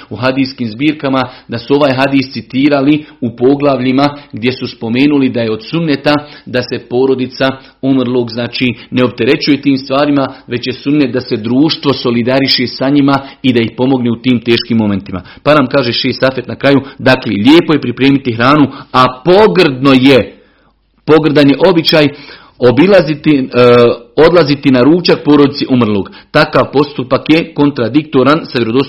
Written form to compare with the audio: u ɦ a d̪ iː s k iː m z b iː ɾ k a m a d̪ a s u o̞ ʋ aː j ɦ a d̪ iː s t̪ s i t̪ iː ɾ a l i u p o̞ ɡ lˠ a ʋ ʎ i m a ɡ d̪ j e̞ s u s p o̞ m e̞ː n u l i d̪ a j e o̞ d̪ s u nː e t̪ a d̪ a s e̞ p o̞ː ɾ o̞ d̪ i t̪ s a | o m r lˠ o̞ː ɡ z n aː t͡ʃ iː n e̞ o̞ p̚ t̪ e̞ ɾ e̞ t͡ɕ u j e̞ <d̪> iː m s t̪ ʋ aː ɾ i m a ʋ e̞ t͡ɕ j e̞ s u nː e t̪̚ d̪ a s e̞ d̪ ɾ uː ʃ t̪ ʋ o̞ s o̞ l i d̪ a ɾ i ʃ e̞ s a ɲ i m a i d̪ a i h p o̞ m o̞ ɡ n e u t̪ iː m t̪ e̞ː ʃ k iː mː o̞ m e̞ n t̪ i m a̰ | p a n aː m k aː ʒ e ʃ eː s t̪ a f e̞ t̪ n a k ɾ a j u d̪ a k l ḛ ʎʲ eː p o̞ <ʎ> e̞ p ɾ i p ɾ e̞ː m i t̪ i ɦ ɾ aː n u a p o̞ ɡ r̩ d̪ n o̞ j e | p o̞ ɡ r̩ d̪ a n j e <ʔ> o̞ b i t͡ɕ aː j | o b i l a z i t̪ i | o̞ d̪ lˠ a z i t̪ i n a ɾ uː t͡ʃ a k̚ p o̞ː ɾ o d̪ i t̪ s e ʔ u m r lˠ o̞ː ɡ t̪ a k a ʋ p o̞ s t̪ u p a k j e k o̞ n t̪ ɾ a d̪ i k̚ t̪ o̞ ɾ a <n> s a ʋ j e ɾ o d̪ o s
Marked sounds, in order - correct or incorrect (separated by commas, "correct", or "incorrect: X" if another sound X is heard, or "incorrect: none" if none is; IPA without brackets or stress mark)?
incorrect: t̪, incorrect: j, correct, correct